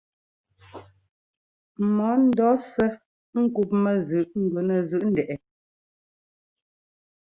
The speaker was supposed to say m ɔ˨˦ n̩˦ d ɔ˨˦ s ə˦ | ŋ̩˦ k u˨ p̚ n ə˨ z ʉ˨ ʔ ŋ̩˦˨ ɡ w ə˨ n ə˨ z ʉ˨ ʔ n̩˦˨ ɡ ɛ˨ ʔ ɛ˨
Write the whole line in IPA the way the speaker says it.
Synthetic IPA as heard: m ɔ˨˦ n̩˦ d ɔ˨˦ s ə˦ | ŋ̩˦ k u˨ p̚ m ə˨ z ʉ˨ ʔ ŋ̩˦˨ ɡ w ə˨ n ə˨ z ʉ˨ ʔ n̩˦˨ d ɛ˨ ʔ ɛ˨